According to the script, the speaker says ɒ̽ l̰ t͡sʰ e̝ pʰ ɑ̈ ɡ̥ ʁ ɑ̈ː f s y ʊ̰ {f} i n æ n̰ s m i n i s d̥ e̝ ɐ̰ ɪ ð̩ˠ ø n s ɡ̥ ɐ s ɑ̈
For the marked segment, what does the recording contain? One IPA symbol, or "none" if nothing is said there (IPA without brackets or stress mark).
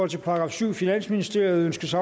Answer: f